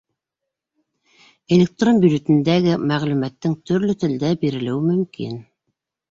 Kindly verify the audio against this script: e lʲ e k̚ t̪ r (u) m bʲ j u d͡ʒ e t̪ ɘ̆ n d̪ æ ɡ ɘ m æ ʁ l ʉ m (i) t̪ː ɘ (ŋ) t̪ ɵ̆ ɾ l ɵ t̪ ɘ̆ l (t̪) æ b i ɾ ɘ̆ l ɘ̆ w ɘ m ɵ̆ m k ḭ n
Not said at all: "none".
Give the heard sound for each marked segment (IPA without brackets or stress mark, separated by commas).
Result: o, æ, ŋ, d̪